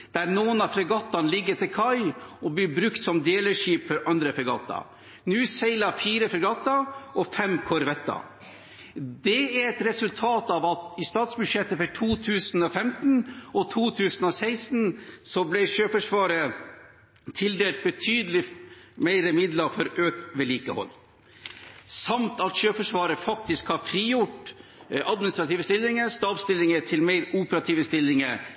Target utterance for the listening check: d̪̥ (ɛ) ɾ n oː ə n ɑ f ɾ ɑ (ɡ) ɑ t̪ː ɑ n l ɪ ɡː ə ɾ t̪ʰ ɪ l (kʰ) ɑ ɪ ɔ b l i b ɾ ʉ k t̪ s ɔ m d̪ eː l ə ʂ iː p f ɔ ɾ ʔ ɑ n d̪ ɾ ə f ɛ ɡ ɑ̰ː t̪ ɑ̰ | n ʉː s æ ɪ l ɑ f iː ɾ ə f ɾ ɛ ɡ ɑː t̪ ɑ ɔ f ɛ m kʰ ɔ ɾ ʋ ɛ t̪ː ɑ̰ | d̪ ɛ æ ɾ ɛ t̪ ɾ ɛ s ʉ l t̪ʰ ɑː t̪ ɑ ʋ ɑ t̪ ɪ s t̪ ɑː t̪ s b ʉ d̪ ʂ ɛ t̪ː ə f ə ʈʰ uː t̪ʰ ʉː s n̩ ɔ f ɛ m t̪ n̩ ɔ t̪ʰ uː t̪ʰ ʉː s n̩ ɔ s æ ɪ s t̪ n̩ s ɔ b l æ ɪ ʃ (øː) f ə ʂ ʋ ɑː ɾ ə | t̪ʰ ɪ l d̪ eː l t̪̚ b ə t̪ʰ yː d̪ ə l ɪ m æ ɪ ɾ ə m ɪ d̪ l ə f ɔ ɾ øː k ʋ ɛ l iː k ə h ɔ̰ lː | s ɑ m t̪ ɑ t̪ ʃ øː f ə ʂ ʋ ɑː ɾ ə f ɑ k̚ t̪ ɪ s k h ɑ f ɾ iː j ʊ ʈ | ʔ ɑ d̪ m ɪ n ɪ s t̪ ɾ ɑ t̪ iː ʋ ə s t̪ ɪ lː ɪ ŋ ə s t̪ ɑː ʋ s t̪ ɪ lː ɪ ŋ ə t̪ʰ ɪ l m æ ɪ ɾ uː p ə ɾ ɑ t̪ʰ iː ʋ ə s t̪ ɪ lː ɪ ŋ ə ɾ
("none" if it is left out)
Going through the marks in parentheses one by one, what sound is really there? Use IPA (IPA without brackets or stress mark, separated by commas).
æ, ɡ, kʰ, øː